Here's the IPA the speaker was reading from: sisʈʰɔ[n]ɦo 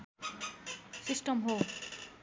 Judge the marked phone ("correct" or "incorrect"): incorrect